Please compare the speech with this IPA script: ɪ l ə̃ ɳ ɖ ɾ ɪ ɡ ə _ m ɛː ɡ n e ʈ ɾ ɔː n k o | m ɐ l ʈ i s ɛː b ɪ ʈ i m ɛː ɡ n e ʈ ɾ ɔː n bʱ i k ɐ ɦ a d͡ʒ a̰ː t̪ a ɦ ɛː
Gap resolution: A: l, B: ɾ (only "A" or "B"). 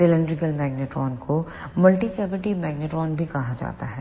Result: A